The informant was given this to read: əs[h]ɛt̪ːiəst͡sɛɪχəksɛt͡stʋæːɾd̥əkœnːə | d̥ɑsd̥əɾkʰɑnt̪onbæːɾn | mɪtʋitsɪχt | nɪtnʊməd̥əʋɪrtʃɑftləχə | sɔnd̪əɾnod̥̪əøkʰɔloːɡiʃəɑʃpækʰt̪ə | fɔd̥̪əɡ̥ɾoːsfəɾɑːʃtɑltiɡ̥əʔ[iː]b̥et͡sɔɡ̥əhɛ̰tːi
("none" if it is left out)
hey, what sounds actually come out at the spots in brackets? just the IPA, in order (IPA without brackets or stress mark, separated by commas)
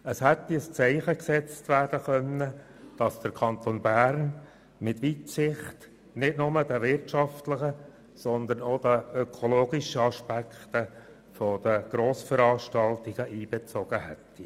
h, iː